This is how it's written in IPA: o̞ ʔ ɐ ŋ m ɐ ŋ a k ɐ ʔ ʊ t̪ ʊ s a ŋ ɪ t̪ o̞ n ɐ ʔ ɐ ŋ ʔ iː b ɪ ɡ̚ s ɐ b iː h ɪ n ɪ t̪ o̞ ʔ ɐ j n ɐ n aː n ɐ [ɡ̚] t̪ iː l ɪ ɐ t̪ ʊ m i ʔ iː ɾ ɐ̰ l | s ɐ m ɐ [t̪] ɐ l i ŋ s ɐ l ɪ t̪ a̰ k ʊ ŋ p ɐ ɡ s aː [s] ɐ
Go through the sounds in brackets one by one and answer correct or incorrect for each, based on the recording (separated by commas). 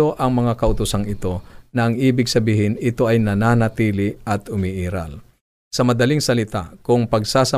incorrect, incorrect, correct